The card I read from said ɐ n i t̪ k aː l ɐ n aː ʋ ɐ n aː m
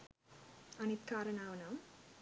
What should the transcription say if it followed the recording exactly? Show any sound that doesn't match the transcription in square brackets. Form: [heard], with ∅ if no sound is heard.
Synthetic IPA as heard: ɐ n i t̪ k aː [ɾ] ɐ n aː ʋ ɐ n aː m